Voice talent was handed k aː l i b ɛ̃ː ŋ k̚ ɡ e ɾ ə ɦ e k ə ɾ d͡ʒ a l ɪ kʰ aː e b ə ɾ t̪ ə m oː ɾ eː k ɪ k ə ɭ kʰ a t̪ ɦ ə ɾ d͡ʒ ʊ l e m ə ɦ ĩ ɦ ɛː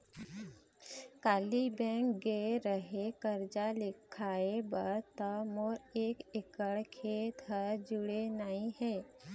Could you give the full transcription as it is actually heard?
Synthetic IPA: k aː l i b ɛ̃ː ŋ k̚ ɡ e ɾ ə ɦ e k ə ɾ d͡ʒ a l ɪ kʰ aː e b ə ɾ t̪ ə m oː ɾ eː k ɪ k ə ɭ kʰ e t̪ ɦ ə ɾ d͡ʒ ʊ ɽ e n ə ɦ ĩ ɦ ɛː